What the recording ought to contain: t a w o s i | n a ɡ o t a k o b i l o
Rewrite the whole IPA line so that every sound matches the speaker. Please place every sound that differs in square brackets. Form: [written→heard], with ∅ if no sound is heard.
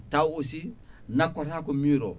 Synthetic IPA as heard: t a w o s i | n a [ɡ→k] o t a k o [b→m] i [l→ɾ] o

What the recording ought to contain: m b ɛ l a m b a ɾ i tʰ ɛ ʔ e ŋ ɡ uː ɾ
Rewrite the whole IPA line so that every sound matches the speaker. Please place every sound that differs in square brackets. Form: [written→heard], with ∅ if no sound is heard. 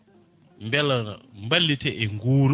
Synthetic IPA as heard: m b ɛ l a m b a [ɾ→l] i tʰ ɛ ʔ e ŋ ɡ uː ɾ

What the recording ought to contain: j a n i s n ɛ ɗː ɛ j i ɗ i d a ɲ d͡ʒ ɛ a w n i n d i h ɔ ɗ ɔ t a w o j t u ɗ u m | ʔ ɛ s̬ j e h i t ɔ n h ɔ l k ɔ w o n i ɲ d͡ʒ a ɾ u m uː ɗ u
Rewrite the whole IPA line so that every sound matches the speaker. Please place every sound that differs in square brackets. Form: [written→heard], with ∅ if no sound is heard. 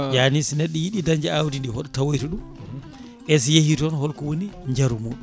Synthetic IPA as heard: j a n i s n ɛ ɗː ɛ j i ɗ i d a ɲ d͡ʒ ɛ a w [n→d] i n d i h ɔ ɗ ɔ t a w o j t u ɗ u m | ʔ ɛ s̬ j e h i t ɔ n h ɔ l k ɔ w o n i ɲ d͡ʒ a ɾ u m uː ɗ u

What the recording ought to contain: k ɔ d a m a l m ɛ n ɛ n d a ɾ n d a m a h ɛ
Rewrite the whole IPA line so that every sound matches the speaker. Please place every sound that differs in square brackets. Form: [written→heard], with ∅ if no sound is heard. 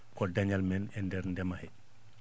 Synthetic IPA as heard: k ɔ d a [m→ɲ] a l m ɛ n ɛ n d [a→ɛ] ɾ n d [a→ɛ] m a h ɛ

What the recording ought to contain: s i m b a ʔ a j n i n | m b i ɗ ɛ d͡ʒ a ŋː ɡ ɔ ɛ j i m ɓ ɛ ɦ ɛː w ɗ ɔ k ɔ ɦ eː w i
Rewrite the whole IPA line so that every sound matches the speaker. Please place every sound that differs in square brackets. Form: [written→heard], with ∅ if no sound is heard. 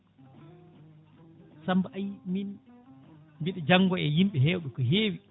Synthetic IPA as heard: s [i→a] m b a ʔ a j [n→m] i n | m b i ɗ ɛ d͡ʒ a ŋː ɡ ɔ ɛ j i m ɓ ɛ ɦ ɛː w ɗ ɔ k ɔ ɦ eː w i

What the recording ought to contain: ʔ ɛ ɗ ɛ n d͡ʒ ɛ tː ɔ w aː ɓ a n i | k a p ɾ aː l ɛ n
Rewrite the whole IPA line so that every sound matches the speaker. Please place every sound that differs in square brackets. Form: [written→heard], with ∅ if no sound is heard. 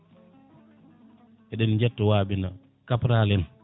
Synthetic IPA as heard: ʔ ɛ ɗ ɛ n d͡ʒ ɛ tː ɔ w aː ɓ [a→i] n [i→a] | k a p ɾ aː l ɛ n

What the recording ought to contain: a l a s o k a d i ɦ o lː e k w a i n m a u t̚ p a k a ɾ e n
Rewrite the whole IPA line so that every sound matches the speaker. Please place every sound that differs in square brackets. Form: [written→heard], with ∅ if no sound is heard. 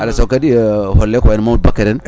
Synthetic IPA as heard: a l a s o k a d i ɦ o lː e k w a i n m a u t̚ [p→b] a k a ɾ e n

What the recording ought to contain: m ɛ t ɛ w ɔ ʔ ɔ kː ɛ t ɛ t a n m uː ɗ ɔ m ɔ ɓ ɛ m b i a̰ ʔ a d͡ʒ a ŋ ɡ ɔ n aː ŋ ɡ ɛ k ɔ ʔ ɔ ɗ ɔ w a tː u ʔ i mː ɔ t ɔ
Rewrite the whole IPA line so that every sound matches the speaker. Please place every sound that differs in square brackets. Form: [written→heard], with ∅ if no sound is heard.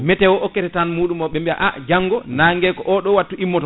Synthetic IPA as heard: m ɛ t ɛ w ɔ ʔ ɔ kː ɛ t ɛ t a n m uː ɗ [ɔ→u] m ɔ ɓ ɛ m b i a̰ ʔ a d͡ʒ a ŋ ɡ ɔ n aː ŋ ɡ ɛ k ɔ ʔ ɔ ɗ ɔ w a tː u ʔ i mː ɔ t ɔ

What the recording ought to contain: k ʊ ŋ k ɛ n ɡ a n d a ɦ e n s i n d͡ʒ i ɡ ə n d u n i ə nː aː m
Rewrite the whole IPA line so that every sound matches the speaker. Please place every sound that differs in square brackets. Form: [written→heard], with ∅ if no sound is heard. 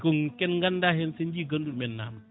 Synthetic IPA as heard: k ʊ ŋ k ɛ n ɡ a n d a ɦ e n s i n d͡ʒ i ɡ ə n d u [n→m] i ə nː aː m

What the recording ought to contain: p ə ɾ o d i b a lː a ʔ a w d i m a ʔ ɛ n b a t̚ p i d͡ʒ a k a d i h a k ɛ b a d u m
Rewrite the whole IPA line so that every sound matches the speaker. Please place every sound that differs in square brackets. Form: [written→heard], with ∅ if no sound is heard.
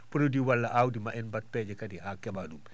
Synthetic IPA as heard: p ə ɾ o d i [b→w] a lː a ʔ a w d i m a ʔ ɛ n b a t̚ p [i→ɛ] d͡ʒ [a→ɛ] k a d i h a k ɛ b a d u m

